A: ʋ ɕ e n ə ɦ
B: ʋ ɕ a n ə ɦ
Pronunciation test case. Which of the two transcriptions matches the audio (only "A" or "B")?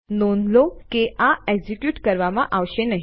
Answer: A